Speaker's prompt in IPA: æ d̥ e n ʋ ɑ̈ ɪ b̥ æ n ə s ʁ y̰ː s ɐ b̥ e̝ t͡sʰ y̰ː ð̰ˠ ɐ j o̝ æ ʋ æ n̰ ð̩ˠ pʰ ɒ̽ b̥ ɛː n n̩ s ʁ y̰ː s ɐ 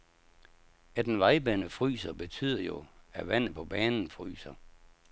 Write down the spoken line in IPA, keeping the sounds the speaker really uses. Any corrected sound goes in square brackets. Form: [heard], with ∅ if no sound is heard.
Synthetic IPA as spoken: æ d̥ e n ʋ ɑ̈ ɪ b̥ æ n ə [f] ʁ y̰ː s ɐ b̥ e̝ t͡sʰ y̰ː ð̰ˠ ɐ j o̝ æ ʋ æ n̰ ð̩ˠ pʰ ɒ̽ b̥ ɛː n n̩ [f] ʁ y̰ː s ɐ